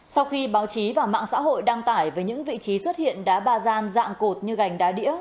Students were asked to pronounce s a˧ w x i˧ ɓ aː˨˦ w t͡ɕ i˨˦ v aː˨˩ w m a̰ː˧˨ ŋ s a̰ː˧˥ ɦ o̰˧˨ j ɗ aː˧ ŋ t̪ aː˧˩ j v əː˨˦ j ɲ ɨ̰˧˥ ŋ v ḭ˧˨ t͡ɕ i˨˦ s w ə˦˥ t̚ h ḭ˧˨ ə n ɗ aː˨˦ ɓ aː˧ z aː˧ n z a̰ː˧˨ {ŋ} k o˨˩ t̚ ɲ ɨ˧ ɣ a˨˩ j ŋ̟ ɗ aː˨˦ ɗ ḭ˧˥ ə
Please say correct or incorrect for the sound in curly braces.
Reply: correct